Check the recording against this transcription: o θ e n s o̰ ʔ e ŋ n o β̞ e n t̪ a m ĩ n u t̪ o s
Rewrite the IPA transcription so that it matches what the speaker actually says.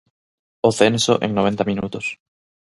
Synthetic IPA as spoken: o θ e n s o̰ ʔ e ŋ n o β̞ e n t̪ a m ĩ n u t̪ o s